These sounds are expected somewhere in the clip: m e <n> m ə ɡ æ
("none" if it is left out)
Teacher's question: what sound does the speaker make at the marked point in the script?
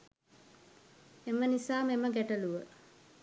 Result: none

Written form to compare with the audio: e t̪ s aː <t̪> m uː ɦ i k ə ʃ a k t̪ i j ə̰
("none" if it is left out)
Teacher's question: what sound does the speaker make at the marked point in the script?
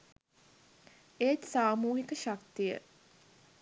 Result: none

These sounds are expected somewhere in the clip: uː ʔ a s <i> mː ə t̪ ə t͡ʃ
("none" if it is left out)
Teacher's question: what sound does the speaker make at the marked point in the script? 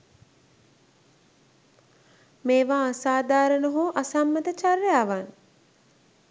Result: a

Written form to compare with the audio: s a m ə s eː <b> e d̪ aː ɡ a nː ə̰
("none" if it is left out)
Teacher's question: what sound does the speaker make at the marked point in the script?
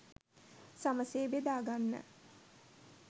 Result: b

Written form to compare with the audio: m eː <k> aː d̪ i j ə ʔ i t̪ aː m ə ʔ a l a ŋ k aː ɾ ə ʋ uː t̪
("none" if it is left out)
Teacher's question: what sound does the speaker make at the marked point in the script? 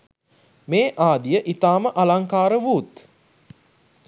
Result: ʔ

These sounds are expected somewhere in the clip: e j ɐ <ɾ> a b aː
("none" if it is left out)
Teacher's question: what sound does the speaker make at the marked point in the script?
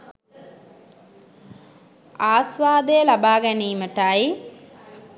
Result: l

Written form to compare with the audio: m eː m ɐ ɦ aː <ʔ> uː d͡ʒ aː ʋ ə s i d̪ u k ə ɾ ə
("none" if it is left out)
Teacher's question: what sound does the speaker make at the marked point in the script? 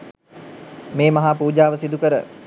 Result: p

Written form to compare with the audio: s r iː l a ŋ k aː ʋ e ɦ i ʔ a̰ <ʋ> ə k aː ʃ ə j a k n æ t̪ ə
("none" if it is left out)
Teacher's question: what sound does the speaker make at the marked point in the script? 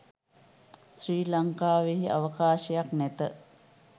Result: ʋ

